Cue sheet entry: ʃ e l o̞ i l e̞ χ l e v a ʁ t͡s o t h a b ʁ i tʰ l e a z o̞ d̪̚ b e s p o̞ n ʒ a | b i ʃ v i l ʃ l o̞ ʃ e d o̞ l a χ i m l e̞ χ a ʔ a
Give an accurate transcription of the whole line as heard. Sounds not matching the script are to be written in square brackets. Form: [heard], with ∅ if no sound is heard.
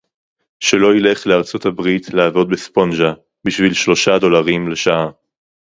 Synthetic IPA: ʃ e l o̞ i l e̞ χ l e [∅] a ʁ t͡s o t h a b ʁ i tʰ l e a [v] o̞ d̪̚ b e s p o̞ n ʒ a | b i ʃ v i l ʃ l o̞ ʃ [a] d o̞ l a [ʁ] i m l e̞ [ʃ] a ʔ a